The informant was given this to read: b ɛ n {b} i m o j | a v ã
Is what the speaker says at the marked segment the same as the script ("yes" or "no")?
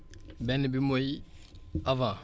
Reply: yes